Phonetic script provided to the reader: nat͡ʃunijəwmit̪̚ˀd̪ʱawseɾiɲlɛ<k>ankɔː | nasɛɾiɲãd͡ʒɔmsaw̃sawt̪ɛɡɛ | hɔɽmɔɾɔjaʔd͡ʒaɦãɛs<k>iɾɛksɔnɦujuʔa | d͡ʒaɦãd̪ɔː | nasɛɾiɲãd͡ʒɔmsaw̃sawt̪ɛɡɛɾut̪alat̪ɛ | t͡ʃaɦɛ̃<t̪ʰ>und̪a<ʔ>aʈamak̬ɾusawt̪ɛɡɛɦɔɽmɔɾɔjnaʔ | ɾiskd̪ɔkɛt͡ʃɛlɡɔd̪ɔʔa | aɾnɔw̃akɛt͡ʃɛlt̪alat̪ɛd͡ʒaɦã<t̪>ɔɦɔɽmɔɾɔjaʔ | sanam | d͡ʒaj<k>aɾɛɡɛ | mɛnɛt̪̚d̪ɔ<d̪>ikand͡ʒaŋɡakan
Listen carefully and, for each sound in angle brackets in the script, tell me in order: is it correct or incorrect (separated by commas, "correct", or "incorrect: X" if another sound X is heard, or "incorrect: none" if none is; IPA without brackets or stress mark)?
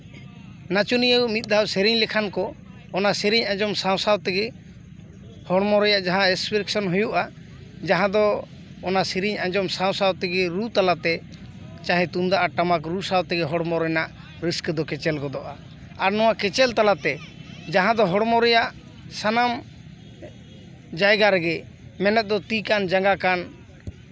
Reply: incorrect: kʰ, incorrect: p, incorrect: t̪, correct, incorrect: d̪, incorrect: ɡ, incorrect: t̪